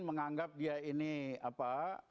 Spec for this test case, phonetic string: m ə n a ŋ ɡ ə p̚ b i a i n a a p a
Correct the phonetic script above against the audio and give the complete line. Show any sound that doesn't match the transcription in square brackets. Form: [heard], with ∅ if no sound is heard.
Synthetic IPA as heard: m ə [ŋ] a ŋ ɡ [a] p̚ [d] i a i n [i] a p a